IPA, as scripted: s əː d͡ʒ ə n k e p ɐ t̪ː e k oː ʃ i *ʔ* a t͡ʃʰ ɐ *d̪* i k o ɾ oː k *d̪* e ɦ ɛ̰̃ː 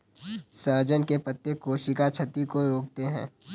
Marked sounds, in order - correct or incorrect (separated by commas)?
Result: incorrect, incorrect, incorrect